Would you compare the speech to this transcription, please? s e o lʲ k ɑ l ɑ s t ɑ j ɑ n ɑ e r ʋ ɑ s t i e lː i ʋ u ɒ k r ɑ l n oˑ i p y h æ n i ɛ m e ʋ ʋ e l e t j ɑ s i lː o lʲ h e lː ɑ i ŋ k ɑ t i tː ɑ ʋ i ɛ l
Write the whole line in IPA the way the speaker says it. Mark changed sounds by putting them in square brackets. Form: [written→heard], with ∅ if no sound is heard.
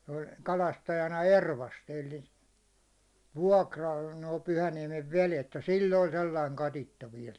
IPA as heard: s e o lʲ k ɑ l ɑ s t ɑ j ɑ n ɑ e r ʋ ɑ s t i e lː i ʋ u ɒ k r ɑ l n oˑ i p y h æ n i ɛ m e ʋ ʋ e l e t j ɑ s i lː o lʲ [h→s] e lː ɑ i ŋ k ɑ t i tː ɑ ʋ i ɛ l